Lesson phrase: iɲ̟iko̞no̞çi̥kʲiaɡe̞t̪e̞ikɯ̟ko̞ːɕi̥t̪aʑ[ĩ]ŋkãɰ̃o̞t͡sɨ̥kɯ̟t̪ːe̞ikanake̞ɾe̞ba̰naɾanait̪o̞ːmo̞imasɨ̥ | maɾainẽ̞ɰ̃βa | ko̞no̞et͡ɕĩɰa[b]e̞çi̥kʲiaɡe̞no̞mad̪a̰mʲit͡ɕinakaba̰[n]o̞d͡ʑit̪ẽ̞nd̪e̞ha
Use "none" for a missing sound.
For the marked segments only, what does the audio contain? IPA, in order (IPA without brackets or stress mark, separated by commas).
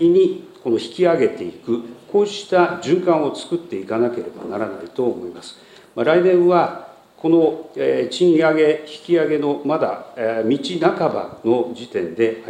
ɨ̃, ɡ, n